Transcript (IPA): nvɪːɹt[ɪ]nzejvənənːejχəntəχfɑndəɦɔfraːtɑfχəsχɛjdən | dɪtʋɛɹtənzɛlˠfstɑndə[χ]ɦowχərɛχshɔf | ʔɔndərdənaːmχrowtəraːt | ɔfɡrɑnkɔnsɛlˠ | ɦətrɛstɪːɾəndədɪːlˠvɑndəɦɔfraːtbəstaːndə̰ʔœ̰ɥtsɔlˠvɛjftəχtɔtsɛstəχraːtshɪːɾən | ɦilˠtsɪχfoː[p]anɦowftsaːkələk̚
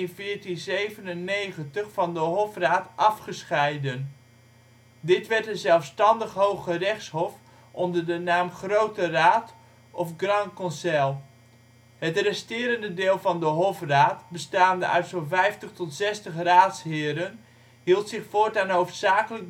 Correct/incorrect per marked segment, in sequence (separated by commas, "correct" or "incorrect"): incorrect, correct, incorrect